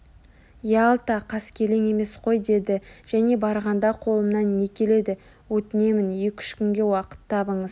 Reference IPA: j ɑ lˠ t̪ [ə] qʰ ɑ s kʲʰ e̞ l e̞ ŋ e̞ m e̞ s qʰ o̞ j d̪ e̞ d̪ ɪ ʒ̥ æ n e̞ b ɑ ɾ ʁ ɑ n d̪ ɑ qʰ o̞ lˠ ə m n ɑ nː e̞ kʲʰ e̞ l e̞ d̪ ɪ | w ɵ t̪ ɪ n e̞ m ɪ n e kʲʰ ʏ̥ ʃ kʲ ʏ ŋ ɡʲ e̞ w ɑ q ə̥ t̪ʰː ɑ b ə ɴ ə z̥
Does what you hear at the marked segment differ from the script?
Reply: yes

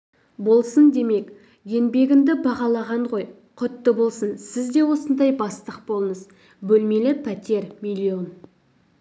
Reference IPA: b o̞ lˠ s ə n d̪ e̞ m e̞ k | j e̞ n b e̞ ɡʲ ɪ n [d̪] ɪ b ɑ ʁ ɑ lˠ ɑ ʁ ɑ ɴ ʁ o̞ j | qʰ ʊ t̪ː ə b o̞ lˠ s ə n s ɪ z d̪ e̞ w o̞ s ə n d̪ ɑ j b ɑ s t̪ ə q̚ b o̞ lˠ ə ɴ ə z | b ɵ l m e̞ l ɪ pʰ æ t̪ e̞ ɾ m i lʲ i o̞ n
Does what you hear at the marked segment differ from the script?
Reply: no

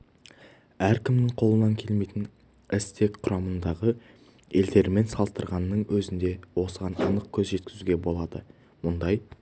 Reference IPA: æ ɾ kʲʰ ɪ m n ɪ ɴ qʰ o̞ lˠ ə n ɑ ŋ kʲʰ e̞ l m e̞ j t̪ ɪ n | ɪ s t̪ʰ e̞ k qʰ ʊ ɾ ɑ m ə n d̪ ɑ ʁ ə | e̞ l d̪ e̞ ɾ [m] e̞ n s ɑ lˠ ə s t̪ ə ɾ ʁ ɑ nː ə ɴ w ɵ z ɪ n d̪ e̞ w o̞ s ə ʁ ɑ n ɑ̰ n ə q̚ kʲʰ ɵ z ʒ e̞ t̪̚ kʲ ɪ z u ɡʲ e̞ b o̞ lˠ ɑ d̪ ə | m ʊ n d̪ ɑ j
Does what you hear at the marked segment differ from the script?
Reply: no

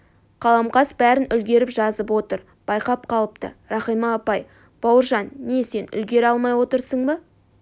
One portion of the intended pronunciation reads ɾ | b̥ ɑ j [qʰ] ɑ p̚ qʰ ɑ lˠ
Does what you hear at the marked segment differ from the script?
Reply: yes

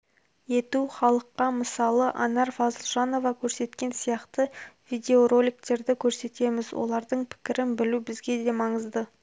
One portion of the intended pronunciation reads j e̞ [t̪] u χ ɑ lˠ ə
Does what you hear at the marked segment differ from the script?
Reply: no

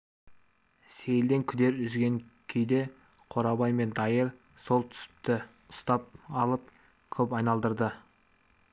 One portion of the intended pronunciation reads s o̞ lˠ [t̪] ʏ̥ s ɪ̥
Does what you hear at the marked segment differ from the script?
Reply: yes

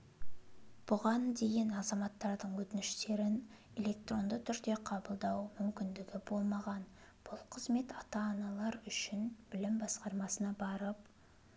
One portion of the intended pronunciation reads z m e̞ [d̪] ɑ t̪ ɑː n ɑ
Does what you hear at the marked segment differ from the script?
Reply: yes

